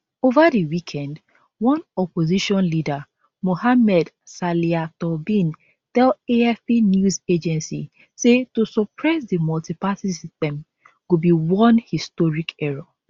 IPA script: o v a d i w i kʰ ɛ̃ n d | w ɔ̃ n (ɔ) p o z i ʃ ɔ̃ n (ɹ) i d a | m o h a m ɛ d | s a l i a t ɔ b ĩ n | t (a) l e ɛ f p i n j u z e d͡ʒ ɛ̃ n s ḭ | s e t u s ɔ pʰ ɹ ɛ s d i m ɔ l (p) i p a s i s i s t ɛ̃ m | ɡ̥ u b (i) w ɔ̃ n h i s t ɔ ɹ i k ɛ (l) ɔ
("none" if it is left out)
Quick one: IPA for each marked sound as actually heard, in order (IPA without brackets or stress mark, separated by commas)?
ɔ, l, ɛ, t, i, ɹ